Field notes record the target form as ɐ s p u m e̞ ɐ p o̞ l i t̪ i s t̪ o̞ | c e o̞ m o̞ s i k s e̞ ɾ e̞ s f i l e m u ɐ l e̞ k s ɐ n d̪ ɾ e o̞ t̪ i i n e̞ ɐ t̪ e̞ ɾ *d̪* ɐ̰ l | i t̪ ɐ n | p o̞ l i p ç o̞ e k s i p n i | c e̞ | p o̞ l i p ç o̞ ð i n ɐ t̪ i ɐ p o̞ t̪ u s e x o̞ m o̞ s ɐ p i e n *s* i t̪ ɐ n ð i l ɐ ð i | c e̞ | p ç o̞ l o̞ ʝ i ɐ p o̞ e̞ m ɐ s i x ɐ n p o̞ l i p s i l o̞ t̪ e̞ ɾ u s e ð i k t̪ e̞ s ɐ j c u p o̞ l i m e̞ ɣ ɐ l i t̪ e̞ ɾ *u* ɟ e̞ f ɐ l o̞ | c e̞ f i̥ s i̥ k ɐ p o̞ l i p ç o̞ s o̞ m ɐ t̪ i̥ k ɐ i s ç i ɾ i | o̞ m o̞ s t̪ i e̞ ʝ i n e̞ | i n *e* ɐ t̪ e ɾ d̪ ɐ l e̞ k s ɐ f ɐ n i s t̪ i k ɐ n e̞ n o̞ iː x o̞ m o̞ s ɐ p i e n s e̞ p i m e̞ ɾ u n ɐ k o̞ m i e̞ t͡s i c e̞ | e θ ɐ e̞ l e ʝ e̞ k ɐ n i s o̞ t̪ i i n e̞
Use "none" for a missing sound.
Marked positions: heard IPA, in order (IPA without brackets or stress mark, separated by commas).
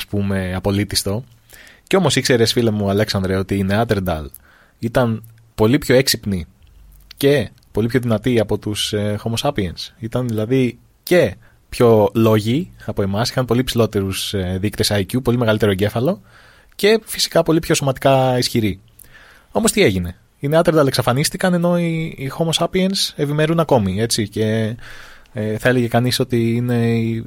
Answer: d̪, s, o, e